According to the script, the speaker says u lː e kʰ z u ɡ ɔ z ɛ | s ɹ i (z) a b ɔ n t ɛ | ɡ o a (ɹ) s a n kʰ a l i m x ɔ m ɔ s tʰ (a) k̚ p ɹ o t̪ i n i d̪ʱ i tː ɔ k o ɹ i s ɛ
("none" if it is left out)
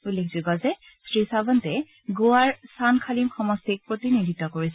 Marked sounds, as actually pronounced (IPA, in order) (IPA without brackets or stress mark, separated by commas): s, ɹ, i